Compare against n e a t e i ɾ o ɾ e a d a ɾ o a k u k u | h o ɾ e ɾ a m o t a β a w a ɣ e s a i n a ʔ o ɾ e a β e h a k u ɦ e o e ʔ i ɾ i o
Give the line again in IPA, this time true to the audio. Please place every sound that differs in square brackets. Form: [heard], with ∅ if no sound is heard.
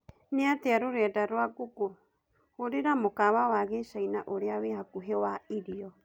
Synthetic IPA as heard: n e a t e [a] ɾ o ɾ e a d a ɾ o a k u k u | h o ɾ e ɾ a m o [k] a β a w a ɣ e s a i n a ʔ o ɾ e a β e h a k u ɦ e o [a] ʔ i ɾ i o